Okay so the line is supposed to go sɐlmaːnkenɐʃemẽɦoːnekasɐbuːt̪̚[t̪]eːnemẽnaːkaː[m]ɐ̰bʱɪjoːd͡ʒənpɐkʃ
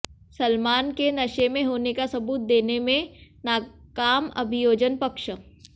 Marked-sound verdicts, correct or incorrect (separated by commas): incorrect, correct